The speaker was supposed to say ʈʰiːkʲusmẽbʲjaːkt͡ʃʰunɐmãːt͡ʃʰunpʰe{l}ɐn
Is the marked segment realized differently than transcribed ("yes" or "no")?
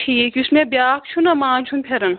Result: yes